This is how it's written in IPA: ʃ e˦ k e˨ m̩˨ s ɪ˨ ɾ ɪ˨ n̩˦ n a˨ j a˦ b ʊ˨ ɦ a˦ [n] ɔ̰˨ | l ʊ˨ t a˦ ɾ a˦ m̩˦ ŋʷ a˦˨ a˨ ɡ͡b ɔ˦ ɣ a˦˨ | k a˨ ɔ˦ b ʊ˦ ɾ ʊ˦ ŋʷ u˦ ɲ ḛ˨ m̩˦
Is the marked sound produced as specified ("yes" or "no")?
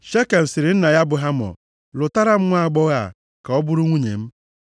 no